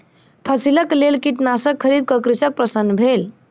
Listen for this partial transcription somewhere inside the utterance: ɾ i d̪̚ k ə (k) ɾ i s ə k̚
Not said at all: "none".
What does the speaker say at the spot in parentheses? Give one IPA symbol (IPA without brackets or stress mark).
k